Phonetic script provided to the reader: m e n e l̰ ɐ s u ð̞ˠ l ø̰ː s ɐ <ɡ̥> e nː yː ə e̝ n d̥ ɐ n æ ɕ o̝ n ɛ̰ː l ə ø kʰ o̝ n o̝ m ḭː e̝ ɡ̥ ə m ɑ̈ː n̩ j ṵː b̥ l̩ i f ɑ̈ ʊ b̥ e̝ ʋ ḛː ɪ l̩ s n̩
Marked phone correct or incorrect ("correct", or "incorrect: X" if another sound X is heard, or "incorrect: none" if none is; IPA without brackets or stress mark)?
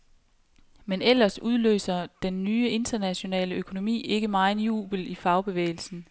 incorrect: d̥